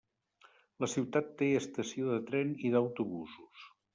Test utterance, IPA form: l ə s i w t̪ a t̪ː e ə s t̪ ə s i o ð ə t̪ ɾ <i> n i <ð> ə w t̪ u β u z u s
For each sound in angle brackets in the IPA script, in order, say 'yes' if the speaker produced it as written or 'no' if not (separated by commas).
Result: no, yes